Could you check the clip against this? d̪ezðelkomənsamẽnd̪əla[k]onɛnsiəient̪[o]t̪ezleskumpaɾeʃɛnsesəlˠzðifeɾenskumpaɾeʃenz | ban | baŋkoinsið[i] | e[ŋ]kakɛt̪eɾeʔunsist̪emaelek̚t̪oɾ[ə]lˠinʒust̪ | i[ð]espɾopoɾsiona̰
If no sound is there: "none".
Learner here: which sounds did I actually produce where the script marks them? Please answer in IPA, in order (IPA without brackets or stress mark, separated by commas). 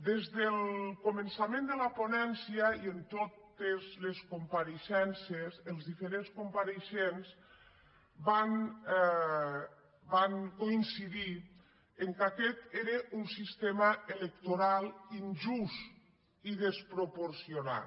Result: p, o, i, ŋ, a, ð